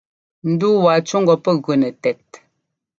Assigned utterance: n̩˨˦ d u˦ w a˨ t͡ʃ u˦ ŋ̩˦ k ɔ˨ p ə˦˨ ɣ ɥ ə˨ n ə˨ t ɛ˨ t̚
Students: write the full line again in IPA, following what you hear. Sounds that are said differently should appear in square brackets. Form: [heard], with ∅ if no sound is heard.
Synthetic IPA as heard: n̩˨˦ d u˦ w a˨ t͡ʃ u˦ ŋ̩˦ [ɡ] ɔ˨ p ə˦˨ ɣ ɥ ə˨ n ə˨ t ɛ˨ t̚